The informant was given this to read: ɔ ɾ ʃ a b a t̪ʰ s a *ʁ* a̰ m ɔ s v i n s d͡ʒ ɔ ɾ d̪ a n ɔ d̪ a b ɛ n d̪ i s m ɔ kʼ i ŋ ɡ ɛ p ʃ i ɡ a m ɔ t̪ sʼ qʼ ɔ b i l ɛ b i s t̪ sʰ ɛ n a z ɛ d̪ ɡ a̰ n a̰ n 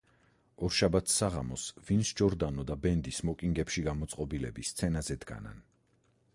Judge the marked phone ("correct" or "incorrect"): correct